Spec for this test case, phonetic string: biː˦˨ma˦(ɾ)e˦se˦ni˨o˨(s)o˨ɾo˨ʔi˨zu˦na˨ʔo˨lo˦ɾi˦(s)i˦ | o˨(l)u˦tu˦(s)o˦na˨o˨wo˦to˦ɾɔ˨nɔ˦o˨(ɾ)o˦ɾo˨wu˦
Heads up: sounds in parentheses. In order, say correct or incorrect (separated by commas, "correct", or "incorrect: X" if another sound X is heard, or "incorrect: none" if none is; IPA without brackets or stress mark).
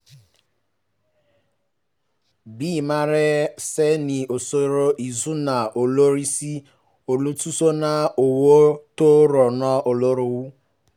correct, correct, correct, correct, correct, incorrect: l